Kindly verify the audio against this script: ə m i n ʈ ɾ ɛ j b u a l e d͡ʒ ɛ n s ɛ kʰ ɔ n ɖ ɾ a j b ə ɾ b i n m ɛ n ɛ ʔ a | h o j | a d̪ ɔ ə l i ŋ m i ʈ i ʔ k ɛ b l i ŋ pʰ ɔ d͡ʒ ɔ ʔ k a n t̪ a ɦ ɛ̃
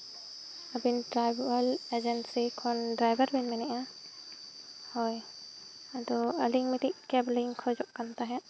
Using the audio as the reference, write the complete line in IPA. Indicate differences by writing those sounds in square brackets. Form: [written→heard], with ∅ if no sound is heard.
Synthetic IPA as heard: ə [m→b] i n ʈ ɾ [ɛ→a] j b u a l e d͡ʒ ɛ n s [ɛ→i] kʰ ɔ n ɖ ɾ a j b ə ɾ b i n m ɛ n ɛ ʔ a | h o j | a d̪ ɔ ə l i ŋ m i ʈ i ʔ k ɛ b l i ŋ [pʰ→kʰ] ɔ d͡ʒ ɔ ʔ k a n t̪ a ɦ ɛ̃